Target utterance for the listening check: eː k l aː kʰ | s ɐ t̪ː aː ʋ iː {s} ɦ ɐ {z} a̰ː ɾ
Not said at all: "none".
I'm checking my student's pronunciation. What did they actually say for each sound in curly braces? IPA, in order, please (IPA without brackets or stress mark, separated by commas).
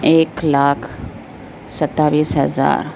s, z